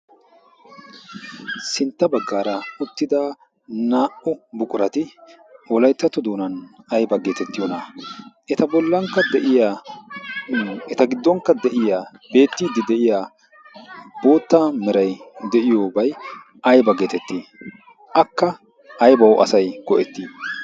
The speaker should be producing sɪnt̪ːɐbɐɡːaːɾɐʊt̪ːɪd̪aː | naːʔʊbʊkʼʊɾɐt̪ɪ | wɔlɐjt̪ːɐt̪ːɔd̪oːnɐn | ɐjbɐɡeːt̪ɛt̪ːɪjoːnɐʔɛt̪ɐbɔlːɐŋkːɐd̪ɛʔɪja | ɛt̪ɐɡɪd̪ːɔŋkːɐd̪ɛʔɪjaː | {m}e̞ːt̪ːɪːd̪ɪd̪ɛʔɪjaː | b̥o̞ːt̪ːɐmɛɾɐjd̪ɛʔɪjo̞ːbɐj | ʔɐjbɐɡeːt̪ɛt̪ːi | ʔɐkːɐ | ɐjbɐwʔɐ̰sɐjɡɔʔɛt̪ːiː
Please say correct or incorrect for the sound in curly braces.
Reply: incorrect